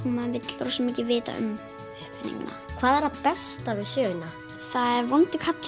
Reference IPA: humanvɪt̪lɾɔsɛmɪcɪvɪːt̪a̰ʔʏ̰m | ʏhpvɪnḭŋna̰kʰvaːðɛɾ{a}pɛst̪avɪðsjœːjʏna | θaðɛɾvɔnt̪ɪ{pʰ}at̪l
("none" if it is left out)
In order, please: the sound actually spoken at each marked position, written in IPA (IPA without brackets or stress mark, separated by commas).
a, kʰ